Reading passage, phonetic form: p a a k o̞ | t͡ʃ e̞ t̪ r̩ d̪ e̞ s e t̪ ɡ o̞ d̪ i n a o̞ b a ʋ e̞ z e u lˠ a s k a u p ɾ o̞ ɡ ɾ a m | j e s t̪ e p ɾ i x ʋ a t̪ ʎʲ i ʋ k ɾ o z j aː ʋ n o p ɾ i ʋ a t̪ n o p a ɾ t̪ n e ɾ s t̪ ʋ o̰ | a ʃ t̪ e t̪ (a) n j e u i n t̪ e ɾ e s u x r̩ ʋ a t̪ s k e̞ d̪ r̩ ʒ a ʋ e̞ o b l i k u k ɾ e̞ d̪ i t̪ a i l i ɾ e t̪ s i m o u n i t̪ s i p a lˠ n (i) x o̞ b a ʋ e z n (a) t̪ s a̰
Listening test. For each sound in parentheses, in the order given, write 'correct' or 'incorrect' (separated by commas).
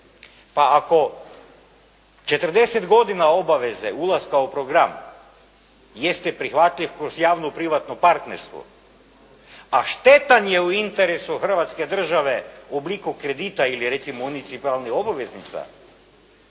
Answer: correct, correct, incorrect